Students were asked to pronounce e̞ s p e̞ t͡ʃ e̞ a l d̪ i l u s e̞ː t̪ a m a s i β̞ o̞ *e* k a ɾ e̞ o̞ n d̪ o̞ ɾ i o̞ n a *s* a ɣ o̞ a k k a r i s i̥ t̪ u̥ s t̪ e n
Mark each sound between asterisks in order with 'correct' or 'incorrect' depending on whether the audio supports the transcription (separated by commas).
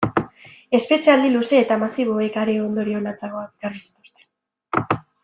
correct, incorrect